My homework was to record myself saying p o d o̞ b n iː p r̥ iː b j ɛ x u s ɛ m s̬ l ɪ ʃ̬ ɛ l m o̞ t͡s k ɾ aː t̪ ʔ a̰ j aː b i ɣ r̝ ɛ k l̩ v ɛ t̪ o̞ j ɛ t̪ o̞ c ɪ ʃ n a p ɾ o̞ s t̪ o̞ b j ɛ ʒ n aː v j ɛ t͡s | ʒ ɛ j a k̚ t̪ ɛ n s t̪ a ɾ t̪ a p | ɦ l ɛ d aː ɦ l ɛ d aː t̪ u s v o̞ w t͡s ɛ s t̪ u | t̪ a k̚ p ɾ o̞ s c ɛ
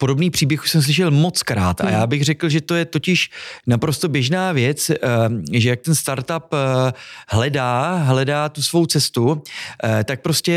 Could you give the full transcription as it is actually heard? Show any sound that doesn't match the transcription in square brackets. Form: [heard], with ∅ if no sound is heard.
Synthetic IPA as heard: p o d o̞ b n iː p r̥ iː b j ɛ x u s ɛ m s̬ l ɪ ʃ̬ ɛ l m o̞ t͡s k ɾ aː t̪ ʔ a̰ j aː b [ɪ] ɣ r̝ ɛ k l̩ [ʒ] ɛ t̪ o̞ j ɛ t̪ o̞ c ɪ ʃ n a p ɾ o̞ s t̪ o̞ b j ɛ ʒ n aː v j ɛ t͡s | ʒ ɛ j a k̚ t̪ ɛ n s t̪ a ɾ t̪ a p | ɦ l ɛ d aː ɦ l ɛ d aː t̪ u s v o̞ w t͡s ɛ s t̪ u | t̪ a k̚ p ɾ o̞ s c ɛ